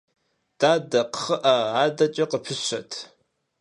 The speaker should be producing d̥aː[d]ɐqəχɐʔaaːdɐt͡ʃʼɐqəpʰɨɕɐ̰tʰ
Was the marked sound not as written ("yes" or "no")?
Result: no